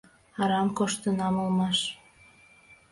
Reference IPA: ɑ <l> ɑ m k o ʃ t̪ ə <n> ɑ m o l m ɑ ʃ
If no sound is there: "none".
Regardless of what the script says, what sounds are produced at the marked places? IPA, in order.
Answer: ɾ, n

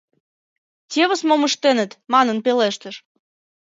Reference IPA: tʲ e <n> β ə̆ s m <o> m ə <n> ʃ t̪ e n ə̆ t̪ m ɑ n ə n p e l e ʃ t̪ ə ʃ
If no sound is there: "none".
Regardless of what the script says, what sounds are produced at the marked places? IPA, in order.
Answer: none, o, none

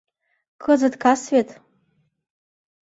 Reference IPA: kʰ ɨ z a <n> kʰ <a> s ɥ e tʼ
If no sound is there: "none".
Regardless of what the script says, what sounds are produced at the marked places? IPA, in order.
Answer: d, a

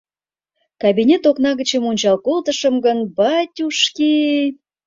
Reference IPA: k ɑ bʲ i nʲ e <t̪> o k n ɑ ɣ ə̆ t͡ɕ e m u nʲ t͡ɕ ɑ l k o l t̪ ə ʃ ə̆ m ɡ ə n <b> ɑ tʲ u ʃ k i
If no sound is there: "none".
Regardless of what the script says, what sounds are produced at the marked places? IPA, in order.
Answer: t̪, b

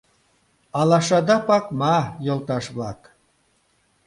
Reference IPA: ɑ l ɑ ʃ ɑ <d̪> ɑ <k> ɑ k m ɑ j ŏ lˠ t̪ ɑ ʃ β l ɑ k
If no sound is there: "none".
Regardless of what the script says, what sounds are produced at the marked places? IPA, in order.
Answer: d̪, p

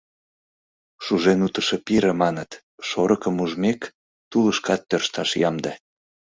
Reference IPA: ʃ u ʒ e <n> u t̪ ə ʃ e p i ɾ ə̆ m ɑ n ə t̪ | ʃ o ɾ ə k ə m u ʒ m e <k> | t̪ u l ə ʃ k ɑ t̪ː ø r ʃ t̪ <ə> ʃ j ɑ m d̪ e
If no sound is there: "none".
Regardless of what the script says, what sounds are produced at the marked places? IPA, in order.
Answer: n, k, ɑ

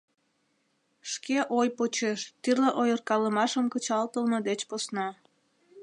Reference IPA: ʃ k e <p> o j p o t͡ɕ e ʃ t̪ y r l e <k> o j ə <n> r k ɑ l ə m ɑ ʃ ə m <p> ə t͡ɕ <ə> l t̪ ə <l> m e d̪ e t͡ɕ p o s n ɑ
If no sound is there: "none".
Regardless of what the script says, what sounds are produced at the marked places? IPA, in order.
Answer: ʔ, ʔ, none, k, ɑ, l

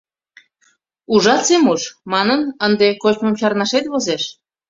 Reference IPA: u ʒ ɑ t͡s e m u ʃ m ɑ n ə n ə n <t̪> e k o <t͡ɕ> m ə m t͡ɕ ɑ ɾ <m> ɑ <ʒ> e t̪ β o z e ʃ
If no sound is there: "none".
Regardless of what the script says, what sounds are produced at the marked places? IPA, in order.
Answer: d̪, t͡ɕ, n, ʃ

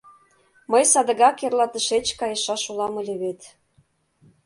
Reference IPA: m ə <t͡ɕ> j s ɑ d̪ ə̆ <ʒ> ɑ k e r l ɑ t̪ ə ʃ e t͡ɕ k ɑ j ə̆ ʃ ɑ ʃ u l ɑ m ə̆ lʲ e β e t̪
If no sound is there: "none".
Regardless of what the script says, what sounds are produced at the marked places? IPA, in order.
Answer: none, ɣ

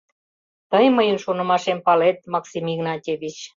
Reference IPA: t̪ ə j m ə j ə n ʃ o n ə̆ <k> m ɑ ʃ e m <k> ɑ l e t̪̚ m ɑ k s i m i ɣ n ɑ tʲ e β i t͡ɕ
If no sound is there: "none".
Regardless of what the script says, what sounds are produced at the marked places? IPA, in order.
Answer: none, p

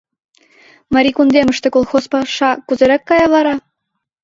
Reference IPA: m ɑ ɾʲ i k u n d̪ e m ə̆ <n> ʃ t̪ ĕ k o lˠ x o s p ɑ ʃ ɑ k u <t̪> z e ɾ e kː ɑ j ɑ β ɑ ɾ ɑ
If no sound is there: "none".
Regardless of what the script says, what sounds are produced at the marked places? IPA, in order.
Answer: none, none

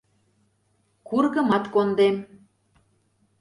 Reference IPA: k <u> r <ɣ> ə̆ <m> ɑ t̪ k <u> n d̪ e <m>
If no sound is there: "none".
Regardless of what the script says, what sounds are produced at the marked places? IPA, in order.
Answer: u, ɣ, m, o, m

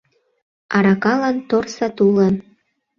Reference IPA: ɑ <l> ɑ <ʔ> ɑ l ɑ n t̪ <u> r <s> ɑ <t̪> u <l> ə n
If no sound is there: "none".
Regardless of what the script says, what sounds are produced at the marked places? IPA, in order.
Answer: ɾ, k, o, s, t̪, l

